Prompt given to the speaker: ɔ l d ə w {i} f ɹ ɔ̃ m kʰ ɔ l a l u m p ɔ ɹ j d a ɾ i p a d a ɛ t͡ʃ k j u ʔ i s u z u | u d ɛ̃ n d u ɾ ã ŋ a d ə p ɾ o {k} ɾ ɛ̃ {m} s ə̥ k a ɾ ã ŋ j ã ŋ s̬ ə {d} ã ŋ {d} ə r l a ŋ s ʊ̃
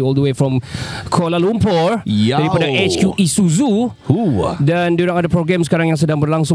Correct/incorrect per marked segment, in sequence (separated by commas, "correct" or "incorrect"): incorrect, incorrect, correct, correct, incorrect